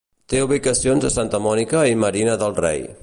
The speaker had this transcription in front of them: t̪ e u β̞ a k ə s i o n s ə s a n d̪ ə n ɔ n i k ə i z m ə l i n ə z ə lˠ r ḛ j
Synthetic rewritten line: t̪ e u β̞ i k ə s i o n z ə s a n t̪ ə m ɔ n i k ə i m ə ɾ i n ə ð ə lˠ r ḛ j